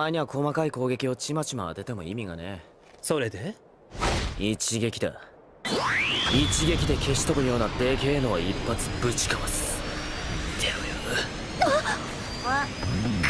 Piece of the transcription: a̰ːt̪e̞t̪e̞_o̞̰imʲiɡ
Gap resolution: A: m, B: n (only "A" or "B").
A